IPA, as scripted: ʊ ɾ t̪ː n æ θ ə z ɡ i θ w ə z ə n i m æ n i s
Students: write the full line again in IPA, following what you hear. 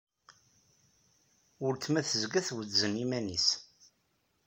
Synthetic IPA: ʊ ɾ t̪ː m æ θ ə z ɡ æ θ w ə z ə n i m æ n i s

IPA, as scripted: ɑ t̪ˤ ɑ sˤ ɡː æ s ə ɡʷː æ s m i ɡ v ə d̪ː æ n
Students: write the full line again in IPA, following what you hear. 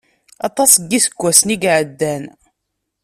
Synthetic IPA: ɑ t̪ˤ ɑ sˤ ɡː i s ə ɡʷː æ s n i ɡ ʕ ə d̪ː æ n

